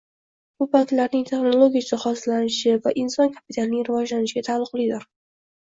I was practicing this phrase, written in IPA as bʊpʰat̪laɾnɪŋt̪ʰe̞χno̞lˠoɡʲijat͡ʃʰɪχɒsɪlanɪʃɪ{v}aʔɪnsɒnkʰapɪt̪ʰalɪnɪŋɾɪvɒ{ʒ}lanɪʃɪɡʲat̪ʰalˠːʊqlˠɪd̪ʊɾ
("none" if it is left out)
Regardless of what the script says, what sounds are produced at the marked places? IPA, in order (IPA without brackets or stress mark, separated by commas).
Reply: v, d͡ʒ